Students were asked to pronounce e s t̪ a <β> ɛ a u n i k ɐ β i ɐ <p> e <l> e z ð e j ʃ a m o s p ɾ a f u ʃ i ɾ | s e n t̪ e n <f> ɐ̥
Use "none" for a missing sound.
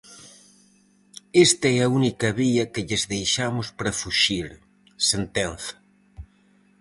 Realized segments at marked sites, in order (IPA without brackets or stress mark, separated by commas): none, k, ʎ, θ